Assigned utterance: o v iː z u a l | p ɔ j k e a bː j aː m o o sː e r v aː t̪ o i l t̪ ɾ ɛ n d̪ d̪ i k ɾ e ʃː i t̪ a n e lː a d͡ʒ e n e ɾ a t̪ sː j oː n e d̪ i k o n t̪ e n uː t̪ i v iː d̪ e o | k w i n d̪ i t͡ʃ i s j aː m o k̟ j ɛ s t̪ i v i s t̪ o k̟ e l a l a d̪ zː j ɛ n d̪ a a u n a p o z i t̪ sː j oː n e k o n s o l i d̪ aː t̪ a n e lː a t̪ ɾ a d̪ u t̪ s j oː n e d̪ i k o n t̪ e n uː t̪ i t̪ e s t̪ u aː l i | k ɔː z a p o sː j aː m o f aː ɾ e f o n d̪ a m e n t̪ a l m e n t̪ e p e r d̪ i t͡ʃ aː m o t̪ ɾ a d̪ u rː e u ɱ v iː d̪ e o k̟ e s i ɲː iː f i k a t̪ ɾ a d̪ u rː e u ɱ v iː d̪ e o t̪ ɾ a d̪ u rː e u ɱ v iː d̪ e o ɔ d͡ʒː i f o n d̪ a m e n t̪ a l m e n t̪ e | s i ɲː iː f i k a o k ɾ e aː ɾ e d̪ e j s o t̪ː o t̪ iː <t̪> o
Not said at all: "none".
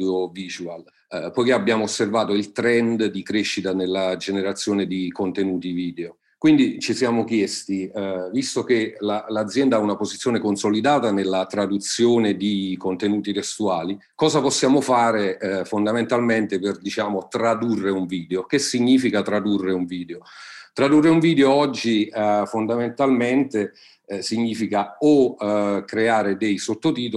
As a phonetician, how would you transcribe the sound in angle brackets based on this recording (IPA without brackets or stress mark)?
t̪